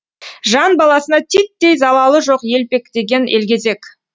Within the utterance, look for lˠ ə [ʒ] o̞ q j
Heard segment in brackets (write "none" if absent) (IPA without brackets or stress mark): ʒ